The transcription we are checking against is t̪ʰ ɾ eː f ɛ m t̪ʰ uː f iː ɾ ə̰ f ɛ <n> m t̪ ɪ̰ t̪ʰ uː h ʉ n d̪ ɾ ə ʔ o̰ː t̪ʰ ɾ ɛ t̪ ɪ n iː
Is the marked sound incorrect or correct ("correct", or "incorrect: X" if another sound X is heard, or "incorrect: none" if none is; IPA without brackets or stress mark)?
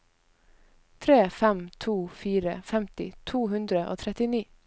incorrect: none